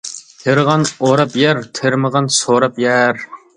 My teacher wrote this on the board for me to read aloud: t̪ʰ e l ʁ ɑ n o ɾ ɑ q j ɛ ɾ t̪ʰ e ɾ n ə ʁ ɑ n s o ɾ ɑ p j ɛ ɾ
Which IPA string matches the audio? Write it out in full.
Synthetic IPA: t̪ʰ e ɾ ʁ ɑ n o ɾ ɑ p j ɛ ɾ t̪ʰ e ɾ m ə ʁ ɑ n s o ɾ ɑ p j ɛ ɾ